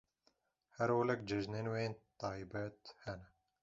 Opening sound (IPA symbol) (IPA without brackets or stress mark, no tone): h